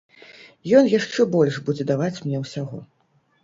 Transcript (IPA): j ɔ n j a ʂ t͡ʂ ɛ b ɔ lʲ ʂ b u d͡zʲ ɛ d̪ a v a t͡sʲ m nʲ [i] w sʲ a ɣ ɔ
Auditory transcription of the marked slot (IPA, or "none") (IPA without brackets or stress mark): ɛ